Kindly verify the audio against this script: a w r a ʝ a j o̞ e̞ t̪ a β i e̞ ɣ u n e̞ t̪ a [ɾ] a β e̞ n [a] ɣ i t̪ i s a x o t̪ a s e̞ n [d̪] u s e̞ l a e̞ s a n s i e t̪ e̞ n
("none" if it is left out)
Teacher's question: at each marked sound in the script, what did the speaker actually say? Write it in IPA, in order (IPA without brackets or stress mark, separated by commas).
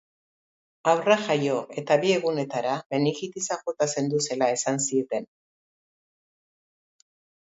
ɾ, i, d̪